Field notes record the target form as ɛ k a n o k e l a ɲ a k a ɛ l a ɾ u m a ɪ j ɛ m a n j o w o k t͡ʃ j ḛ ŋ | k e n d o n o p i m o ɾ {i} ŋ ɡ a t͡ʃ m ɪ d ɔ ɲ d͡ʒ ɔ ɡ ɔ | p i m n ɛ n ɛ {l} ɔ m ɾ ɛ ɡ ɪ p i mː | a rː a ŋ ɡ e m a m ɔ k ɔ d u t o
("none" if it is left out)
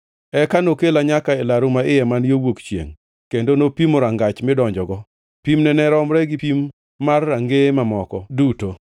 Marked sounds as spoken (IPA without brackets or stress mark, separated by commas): a, ɾ